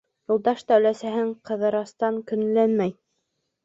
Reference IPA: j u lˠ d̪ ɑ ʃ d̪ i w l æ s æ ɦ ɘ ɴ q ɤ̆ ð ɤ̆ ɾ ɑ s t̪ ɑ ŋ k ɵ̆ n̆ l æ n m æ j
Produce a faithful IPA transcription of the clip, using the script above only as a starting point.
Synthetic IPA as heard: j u lˠ d̪ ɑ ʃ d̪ æ w l æ s æ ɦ ɘ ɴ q ɤ̆ ð ɤ̆ ɾ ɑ s t̪ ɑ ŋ k ɵ̆ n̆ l æ n m æ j